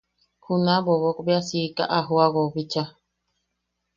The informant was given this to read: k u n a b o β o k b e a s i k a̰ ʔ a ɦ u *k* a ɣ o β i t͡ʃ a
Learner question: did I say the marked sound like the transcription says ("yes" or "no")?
no